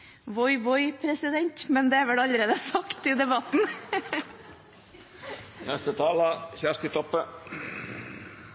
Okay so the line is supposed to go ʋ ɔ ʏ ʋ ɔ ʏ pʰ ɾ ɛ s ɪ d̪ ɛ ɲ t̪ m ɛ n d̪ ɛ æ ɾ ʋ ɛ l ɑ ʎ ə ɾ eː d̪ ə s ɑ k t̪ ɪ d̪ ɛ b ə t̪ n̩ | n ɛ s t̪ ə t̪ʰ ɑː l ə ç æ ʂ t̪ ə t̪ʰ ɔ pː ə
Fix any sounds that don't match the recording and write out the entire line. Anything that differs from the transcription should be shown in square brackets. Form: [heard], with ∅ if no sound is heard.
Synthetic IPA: ʋ ɔ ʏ ʋ ɔ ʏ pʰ ɾ ɛ s ɪ d̪ ɛ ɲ t̪ m ɛ n d̪ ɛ æ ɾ ʋ ɛ l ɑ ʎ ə ɾ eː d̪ ə s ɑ k t̪ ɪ d̪ ɛ b [ɑ] t̪ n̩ | n ɛ s t̪ ə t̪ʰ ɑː l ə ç æ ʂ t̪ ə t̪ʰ ɔ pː ə